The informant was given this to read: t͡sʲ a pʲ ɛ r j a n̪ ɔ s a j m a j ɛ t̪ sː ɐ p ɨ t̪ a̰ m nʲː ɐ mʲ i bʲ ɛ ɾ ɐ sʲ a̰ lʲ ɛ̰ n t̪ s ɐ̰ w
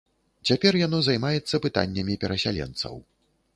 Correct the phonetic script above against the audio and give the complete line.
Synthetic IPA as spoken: t͡sʲ a pʲ ɛ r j a n̪ ɔ z a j m a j ɛ t̪ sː ɐ p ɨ t̪ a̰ nʲː ɐ mʲ i pʲ ɛ ɾ ɐ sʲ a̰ lʲ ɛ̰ n t̪ s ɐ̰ w

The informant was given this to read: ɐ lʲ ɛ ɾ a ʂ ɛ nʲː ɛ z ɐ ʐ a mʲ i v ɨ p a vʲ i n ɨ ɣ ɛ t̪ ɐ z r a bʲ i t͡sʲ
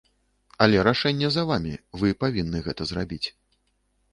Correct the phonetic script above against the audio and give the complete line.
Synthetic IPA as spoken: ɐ lʲ ɛ ɾ a ʂ ɛ nʲː ɛ z ɐ v a mʲ i v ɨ p a vʲ i nː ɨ ɣ ɛ t̪ ɐ z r a bʲ i t͡sʲ

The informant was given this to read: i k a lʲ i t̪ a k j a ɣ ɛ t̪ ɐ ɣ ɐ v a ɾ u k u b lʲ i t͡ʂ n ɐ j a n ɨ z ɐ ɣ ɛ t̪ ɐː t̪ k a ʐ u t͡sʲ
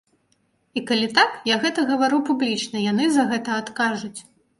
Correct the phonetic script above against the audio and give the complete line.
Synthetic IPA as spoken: i k a lʲ i t̪ a k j a ɣ ɛ t̪ ɐ ɣ ɐ v a ɾ u p u b lʲ i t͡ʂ n ɐ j a n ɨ z ɐ ɣ ɛ t̪ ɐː t̪ k a ʐ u t͡sʲ

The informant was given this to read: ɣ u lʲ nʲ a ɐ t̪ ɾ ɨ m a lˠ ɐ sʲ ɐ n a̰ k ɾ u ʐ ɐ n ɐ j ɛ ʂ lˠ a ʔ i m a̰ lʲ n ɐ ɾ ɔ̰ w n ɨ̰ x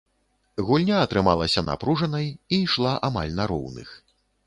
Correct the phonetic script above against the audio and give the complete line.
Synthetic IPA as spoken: ɣ u lʲ nʲ a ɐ t̪ ɾ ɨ m a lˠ ɐ sʲ ɐ n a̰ p ɾ u ʐ ɐ n ɐ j i ʂ lˠ a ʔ a m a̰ lʲ n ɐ ɾ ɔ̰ w n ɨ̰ x

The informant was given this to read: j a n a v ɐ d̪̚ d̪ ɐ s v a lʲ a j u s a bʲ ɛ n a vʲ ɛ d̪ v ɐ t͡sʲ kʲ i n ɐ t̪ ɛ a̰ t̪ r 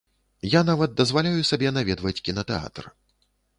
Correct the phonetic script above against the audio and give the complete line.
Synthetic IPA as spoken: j a n a v ɐ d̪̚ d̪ ɐ z v a lʲ a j u s a bʲ ɛ n a vʲ ɛ d̪ v ɐ t͡sʲ kʲ i n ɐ t̪ ɛ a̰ t̪ r

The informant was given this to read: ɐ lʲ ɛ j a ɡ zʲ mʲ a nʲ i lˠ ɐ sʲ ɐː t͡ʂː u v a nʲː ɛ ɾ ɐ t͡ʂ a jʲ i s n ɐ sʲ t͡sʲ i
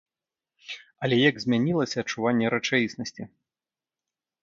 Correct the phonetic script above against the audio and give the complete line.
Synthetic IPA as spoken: ɐ lʲ ɛ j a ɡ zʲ mʲ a nʲ i lˠ ɐ sʲ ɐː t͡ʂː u v a nʲː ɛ ɾ ɐ t͡ʂ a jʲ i s n ɐ sʲ t͡sʲ i

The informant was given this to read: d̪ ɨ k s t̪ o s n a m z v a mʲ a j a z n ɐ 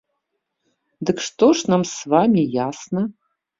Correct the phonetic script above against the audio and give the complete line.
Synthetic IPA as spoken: d̪ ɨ k ʂ t̪ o ʂ n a m s v a mʲ i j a s n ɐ

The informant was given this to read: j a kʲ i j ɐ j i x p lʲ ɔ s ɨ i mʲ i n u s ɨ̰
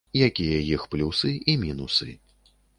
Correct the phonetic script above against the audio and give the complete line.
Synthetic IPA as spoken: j a kʲ i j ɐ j i x p lʲ u s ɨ i mʲ i n u s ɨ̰

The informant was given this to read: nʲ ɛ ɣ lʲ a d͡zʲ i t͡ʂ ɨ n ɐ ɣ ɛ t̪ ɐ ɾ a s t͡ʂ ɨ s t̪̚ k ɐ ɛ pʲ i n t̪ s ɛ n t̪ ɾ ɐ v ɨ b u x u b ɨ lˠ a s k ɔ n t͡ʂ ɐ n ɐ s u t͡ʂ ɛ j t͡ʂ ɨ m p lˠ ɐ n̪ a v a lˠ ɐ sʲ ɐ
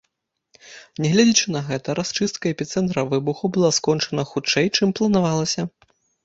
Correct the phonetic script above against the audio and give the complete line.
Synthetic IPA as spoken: nʲ ɛ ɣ lʲ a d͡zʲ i t͡ʂ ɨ n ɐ ɣ ɛ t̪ ɐ ɾ a s t͡ʂ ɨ s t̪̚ k ɐ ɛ pʲ i t̪ s ɛ n t̪ ɾ ɐ v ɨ b u x u b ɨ lˠ a s k ɔ n t͡ʂ ɐ n ɐ x u t͡ʂ ɛ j t͡ʂ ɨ m p lˠ ɐ n̪ a v a lˠ ɐ sʲ ɐ

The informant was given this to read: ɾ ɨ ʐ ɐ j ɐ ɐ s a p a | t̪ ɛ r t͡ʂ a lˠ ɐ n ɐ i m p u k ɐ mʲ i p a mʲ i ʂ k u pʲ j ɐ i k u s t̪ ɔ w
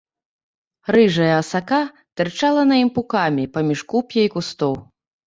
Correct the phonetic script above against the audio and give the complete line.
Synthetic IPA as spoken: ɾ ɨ ʐ ɐ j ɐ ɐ s a k a | t̪ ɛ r t͡ʂ a lˠ ɐ n ɐ i m p u k a mʲ i p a mʲ i ʂ k u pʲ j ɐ i k u s t̪ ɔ w

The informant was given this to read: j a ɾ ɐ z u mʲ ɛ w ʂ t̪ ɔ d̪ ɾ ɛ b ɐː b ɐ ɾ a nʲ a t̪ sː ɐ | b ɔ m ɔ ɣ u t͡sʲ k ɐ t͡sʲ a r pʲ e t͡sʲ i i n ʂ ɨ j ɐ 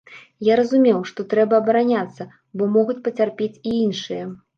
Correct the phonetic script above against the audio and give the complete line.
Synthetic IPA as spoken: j a ɾ ɐ z u mʲ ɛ w ʂ t̪ ɔ t̪ ɾ ɛ b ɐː b ɐ ɾ a nʲ a t̪ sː ɐ | b ɔ m ɔ ɣ u t͡sʲ p ɐ t͡sʲ a r pʲ e t͡sʲ i i n ʂ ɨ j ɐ

